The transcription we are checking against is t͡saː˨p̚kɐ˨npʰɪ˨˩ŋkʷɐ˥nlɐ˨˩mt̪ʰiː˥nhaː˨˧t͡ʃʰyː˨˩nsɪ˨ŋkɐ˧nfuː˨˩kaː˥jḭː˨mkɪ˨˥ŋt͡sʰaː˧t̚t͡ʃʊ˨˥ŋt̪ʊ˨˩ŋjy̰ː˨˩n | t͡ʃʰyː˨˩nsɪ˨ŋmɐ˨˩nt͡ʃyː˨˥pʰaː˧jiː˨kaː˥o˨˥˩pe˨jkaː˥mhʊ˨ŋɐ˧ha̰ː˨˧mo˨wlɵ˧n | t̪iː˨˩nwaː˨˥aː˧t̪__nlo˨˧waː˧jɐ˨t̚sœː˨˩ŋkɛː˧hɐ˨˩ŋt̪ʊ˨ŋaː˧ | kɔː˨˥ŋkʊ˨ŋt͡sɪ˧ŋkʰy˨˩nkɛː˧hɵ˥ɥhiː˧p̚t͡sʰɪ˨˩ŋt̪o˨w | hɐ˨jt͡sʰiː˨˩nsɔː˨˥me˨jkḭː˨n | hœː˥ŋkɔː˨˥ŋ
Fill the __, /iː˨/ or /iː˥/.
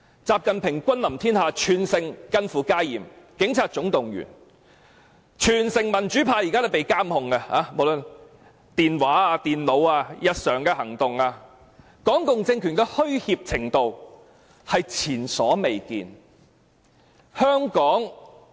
iː˨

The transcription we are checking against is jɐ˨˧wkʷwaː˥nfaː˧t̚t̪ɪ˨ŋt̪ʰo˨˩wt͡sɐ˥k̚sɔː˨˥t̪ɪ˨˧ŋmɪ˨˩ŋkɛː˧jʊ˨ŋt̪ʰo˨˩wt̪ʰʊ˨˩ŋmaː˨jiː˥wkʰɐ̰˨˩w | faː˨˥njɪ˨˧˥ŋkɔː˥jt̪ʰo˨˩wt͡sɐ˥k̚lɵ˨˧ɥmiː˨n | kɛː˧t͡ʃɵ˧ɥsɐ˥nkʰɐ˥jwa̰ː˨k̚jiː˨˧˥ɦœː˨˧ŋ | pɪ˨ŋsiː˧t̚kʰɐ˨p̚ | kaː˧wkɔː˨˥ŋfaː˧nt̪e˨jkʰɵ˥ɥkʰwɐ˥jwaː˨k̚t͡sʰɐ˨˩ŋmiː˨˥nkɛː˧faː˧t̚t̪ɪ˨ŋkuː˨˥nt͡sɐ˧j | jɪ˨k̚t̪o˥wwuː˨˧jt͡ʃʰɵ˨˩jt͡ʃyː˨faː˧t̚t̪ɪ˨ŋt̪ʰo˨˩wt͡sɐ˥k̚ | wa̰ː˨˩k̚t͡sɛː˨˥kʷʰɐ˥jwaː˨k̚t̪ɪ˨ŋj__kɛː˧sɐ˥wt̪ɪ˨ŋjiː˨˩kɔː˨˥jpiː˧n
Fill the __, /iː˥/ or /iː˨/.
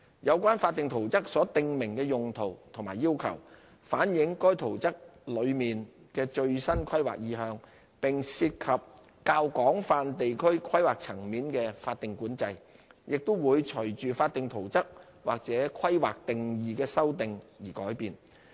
iː˨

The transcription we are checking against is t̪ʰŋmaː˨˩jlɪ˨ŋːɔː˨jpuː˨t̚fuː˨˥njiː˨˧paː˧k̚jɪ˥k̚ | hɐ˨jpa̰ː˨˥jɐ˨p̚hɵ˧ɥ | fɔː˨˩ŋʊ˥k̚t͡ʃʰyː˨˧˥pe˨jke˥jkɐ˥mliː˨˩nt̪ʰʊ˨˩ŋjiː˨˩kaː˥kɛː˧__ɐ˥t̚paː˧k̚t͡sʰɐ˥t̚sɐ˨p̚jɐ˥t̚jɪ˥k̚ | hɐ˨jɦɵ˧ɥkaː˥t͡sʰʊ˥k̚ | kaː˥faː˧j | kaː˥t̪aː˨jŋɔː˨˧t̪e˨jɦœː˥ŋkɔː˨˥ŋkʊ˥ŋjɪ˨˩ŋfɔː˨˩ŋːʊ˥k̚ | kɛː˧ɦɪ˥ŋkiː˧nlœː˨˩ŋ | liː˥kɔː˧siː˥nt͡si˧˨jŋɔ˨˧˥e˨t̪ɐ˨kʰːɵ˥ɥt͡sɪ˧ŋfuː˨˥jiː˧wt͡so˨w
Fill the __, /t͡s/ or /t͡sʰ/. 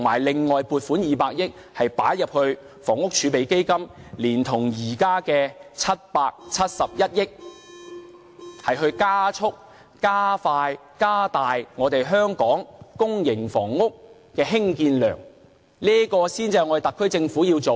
t͡sʰ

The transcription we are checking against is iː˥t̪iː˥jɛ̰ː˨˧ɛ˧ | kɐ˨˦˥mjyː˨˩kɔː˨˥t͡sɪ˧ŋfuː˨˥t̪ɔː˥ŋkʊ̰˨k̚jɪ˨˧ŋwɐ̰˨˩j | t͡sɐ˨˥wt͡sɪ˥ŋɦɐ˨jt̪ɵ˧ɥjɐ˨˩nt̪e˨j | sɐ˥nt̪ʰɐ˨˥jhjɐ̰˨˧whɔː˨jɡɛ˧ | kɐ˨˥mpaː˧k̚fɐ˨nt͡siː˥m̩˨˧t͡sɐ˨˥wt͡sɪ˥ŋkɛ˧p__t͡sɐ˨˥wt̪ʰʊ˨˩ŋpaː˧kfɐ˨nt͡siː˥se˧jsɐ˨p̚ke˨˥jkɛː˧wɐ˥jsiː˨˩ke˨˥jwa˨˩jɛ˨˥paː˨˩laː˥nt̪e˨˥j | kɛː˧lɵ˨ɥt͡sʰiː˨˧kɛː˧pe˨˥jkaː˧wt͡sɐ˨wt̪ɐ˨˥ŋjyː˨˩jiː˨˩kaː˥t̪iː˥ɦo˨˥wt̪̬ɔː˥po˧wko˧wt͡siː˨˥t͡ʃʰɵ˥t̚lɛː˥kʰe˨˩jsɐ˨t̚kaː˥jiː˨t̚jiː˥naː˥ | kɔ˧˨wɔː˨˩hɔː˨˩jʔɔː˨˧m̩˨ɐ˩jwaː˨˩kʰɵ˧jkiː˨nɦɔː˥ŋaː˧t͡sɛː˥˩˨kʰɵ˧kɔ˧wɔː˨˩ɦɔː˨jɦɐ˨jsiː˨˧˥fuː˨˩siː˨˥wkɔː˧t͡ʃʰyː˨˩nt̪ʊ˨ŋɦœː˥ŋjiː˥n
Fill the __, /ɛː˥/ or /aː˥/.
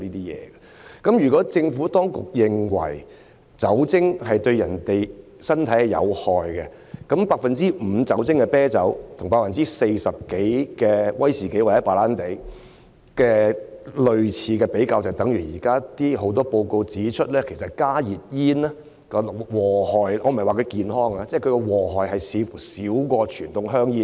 ɛː˥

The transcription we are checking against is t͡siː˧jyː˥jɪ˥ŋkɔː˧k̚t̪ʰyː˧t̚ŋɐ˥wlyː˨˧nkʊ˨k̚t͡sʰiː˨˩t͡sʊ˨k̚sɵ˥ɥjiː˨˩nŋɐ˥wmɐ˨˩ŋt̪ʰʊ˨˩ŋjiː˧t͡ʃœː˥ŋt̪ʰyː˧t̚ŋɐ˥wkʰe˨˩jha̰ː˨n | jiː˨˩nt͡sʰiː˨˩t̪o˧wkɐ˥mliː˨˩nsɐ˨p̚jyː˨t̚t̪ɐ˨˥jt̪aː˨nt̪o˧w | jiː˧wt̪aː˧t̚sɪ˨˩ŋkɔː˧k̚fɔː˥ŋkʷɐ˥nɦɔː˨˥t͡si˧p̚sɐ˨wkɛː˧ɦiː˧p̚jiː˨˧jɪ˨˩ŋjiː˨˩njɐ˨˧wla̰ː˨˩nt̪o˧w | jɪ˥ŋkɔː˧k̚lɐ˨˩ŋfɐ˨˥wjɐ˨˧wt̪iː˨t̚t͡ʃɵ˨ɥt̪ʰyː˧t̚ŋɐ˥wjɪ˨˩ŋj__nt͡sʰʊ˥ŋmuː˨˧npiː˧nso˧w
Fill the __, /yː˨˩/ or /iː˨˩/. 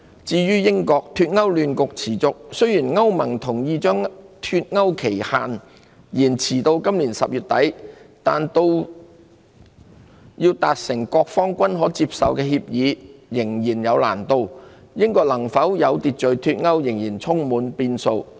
iː˨˩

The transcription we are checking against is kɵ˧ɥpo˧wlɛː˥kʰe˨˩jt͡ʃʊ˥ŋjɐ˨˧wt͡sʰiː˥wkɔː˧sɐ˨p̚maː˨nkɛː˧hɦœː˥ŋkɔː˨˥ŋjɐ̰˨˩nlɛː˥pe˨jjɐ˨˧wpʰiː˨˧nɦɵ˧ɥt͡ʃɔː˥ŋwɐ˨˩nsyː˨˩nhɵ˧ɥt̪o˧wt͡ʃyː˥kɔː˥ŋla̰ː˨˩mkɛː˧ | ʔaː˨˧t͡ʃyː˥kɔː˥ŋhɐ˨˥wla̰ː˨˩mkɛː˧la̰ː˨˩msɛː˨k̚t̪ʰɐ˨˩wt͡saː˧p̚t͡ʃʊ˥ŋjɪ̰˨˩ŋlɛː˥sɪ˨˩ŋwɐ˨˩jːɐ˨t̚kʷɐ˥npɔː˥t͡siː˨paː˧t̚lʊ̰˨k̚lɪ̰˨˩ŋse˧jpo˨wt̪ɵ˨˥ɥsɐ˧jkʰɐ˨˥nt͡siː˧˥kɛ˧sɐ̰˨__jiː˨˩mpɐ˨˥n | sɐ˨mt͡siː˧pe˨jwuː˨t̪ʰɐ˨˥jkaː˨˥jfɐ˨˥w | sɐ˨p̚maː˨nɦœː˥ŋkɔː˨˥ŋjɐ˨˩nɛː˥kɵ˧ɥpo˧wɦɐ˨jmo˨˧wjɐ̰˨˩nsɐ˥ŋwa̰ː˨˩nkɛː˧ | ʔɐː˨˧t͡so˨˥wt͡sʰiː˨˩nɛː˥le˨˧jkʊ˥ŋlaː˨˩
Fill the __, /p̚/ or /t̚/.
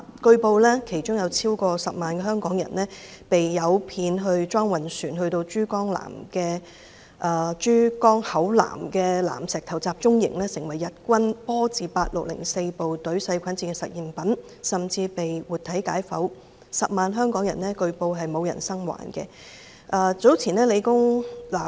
t̚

